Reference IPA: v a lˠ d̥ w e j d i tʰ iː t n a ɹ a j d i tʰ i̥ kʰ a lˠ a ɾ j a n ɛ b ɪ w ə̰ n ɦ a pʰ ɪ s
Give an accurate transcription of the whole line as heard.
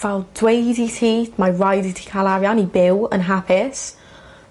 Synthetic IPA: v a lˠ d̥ w e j d i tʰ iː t m a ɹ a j d i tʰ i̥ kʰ a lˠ a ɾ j a n i b ɪ w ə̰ n ɦ a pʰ ɪ s